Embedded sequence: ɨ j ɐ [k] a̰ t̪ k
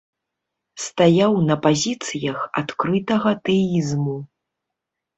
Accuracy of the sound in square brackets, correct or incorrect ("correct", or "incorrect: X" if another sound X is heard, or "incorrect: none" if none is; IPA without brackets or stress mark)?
incorrect: x